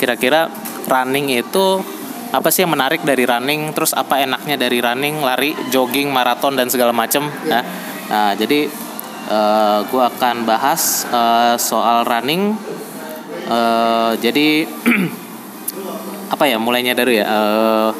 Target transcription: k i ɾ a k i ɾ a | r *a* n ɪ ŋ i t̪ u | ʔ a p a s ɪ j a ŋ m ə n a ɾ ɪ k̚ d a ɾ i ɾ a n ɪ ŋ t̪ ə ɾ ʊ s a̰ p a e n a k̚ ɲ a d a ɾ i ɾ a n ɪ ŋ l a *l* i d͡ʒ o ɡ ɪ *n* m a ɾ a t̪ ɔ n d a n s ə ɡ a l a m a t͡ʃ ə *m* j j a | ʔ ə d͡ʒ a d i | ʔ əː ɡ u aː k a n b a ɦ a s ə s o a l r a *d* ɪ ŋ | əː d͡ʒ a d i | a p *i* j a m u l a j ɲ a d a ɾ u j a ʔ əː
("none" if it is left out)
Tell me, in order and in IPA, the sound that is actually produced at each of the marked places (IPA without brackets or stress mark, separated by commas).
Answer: a, ɾ, ŋ, m, n, a